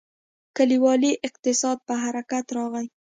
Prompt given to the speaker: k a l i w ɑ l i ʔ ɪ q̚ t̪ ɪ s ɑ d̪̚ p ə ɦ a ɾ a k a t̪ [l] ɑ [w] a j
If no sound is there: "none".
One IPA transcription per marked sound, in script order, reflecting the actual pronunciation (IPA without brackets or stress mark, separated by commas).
ɾ, ɣ